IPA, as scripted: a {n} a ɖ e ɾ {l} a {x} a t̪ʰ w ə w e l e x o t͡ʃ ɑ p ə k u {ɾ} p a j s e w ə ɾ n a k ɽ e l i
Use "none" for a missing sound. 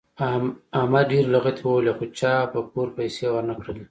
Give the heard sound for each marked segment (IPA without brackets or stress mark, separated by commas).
m, l, ɣ, ɾ